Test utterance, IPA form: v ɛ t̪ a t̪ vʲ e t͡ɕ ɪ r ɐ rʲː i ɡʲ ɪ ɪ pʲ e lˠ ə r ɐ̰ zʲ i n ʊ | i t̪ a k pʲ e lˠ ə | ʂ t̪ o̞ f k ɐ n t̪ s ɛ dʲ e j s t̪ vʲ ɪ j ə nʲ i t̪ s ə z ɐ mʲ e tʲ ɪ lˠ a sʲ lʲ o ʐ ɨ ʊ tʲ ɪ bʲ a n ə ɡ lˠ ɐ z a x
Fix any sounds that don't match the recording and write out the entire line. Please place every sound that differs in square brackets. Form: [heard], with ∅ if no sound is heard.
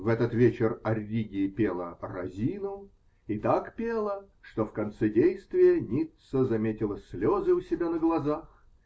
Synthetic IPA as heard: v ɛ t̪ [ə] t̪ vʲ e t͡ɕ ɪ r ɐ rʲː i ɡʲ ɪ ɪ pʲ e lˠ ə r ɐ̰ zʲ i n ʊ | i t̪ a k pʲ e lˠ ə | ʂ t̪ o̞ f k ɐ n t̪ s ɛ dʲ e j s t̪ vʲ ɪ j ə nʲ i t̪ s ə z ɐ mʲ e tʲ ɪ lˠ [ə] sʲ lʲ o [z] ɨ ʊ [sʲ] ɪ bʲ a n ə ɡ lˠ ɐ z a x

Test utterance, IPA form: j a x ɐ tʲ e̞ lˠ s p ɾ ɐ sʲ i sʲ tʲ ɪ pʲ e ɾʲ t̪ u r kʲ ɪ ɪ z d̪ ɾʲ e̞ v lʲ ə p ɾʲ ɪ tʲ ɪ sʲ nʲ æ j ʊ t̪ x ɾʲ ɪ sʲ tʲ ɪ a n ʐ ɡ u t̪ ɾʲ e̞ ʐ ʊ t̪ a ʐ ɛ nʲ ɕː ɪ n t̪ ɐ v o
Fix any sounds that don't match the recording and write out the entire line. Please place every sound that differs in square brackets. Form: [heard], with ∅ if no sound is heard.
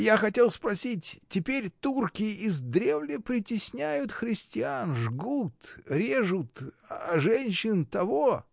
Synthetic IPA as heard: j a x ɐ tʲ e̞ lˠ s p ɾ ɐ sʲ i [tʲ] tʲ ɪ pʲ e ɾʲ t̪ u r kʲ ɪ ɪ z d̪ ɾʲ e̞ v lʲ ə p ɾʲ ɪ tʲ ɪ sʲ nʲ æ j ʊ t̪ x ɾʲ ɪ sʲ tʲ ɪ a n ʐ ɡ u t̪ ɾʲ e̞ ʐ ʊ t̪ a ʐ ɛ nʲ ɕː ɪ n t̪ ɐ v o

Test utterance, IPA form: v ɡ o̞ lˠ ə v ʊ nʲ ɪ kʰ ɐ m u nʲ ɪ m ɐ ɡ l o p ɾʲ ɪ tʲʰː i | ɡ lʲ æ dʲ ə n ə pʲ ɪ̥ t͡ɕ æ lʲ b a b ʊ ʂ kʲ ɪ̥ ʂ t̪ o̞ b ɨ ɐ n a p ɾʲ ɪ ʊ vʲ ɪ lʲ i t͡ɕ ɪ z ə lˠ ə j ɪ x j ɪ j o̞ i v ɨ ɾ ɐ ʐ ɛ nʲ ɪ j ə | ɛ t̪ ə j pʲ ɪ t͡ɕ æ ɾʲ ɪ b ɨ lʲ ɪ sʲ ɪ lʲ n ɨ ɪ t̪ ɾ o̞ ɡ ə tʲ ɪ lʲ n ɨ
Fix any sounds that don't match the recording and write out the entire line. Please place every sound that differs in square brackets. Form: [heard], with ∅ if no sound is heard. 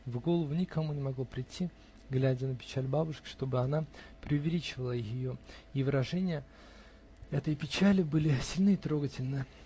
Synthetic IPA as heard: v ɡ o̞ lˠ ə v ʊ nʲ ɪ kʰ ɐ m u nʲ ɪ m ɐ ɡ l o p ɾʲ ɪ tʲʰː i | ɡ lʲ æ dʲ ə n ə pʲ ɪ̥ t͡ɕ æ lʲ b a b ʊ ʂ kʲ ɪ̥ ʂ t̪ o̞ b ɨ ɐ n a p ɾʲ ɪ ʊ vʲ ɪ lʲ i t͡ɕ ɪ [v] ə lˠ ə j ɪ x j ɪ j o̞ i v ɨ ɾ ɐ ʐ ɛ nʲ ɪ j ə | ɛ t̪ ə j pʲ ɪ t͡ɕ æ [lʲ] ɪ b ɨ lʲ ɪ sʲ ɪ lʲ n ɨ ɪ t̪ ɾ o̞ ɡ ə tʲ ɪ lʲ n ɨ

